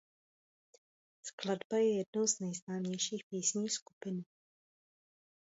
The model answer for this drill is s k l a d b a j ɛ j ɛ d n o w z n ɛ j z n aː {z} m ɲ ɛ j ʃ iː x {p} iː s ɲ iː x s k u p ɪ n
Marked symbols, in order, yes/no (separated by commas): no, yes